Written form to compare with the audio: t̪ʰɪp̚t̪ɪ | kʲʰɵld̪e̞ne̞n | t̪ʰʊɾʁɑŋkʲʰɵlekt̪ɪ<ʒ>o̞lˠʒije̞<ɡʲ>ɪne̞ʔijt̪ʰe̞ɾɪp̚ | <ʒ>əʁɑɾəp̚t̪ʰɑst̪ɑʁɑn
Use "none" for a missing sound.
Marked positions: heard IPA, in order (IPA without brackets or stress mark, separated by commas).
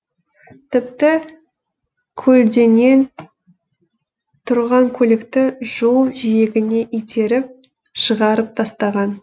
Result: ʒ, ɡʲ, ʃ